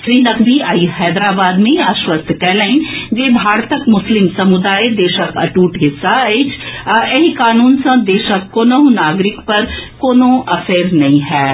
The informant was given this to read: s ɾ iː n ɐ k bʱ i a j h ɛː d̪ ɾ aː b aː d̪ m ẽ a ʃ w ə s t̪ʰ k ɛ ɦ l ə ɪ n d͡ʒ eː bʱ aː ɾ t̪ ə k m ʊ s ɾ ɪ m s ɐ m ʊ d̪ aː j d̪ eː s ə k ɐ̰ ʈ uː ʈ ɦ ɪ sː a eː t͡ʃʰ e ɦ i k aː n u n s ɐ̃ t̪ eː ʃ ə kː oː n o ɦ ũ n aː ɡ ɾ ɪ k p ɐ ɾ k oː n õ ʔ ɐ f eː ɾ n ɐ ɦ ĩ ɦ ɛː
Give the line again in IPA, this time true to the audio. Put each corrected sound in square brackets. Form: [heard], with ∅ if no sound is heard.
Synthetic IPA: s ɾ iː n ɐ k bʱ i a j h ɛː d̪ ɾ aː b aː d̪ m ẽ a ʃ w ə s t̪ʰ k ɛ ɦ l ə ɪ n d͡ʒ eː bʱ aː ɾ t̪ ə k m ʊ s [l] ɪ m s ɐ m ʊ d̪ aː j d̪ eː [ʃ] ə k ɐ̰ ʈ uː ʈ ɦ ɪ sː a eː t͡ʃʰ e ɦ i k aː n [uː] n s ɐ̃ [d̪] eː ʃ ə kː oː n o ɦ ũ n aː ɡ ɾ ɪ k p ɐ ɾ k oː n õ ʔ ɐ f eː ɾ n ɐ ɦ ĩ ɦ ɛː